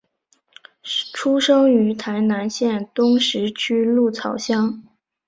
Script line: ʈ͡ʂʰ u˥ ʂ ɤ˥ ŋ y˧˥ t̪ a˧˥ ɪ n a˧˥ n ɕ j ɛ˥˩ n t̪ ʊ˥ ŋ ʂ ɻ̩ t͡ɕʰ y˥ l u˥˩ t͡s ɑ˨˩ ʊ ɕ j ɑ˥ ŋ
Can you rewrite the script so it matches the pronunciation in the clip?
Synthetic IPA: ʈ͡ʂʰ u˥ ʂ ɤ˥ ŋ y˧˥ t̪ʰ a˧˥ ɪ n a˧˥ n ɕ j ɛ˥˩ n t̪ ʊ˥ ŋ ʂ ɻ̩ t͡ɕʰ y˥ l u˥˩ t͡sʰ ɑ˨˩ ʊ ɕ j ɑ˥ ŋ

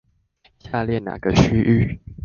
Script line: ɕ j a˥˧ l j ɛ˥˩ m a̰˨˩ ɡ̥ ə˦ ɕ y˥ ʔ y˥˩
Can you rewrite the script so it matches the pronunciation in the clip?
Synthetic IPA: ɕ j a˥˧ l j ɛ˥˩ n a̰˨˩ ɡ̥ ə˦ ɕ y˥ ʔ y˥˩

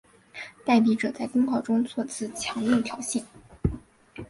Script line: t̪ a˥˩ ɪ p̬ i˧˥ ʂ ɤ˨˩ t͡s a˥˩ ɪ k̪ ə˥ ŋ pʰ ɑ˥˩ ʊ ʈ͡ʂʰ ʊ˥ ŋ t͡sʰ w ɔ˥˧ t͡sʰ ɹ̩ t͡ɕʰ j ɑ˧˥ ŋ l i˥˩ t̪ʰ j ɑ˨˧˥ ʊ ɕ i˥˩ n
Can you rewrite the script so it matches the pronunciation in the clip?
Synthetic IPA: t̪ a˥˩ ɪ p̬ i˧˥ ʈ͡ʂ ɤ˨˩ t͡s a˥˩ ɪ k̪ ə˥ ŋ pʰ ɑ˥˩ ʊ ʈ͡ʂ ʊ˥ ŋ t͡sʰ w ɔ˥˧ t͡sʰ ɹ̩ t͡ɕʰ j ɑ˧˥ ŋ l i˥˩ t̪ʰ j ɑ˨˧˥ ʊ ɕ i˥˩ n

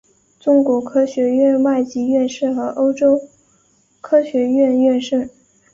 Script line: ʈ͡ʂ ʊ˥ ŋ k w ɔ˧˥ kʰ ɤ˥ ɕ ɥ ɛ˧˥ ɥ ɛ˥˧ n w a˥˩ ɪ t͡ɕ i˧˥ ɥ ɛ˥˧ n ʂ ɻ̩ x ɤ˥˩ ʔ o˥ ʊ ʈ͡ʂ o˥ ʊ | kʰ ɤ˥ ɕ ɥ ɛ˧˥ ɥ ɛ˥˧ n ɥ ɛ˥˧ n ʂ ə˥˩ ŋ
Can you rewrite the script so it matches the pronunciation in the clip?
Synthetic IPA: ʈ͡ʂ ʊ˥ ŋ k w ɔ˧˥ kʰ ɤ˥ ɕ ɥ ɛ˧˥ ɥ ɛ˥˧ n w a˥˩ ɪ t͡ɕ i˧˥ ɥ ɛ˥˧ n ʂ ɻ̩ x ɤ˧˥ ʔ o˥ ʊ ʈ͡ʂ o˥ ʊ | kʰ ɤ˥ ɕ ɥ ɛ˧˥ ɥ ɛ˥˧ n ɥ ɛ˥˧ n ʂ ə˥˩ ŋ

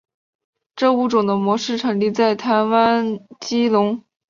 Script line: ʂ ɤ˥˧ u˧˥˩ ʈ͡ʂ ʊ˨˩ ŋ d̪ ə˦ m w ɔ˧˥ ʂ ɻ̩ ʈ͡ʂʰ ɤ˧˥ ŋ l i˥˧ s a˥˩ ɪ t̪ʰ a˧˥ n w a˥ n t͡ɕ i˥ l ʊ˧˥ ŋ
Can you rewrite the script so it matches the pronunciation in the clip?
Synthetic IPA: ʈ͡ʂ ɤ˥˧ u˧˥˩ ʈ͡ʂ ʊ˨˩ ŋ d̪ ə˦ m w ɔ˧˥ ʂ ɻ̩ ʈ͡ʂʰ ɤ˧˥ ŋ l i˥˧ t͡s a˥˩ ɪ t̪ʰ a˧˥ n w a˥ n t͡ɕ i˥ l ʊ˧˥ ŋ

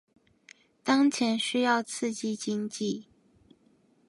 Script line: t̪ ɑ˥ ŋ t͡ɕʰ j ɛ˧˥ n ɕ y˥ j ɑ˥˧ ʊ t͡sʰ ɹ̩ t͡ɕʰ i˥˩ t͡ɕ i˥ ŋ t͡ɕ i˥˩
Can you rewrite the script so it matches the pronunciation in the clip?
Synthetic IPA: t̪ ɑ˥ ŋ t͡ɕʰ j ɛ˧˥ n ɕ y˥ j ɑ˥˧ ʊ t͡sʰ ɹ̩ t͡ɕ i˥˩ t͡ɕ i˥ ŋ t͡ɕ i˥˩

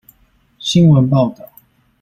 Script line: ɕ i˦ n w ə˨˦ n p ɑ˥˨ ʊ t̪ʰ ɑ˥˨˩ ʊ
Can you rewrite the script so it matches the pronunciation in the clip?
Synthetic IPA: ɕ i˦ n w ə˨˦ n p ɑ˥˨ ʊ t̪ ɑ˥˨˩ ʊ

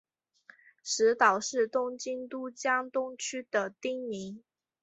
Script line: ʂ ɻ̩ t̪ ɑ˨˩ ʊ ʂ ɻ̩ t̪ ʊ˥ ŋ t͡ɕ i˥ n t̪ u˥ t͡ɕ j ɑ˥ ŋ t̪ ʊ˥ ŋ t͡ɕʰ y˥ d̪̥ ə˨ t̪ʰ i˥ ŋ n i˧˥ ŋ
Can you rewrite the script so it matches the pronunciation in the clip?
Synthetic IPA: ʂ ɻ̩ t̪ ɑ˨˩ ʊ ʂ ɻ̩ t̪ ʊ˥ ŋ t͡ɕ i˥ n t̪ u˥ t͡ɕ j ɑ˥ ŋ t̪ ʊ˥ ŋ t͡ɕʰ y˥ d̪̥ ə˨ t̪ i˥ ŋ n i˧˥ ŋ

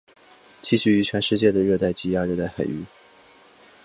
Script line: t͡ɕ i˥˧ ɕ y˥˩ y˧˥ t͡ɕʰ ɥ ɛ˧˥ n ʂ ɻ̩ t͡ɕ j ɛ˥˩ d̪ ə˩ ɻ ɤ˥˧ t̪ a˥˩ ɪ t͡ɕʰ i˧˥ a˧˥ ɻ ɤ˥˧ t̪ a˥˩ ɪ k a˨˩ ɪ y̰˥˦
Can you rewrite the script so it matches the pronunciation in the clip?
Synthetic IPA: t͡ɕ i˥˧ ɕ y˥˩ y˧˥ t͡ɕʰ ɥ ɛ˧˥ n ʂ ɻ̩ t͡ɕ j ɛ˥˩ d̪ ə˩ ɻ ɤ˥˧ t̪ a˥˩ ɪ t͡ɕ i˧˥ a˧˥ ɻ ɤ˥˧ t̪ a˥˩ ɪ x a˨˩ ɪ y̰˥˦

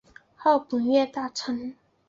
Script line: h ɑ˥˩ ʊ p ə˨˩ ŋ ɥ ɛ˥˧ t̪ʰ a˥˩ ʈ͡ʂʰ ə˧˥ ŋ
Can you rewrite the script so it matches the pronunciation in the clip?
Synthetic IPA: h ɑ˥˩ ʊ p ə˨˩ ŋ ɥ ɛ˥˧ t̪ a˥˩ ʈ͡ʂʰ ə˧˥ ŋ

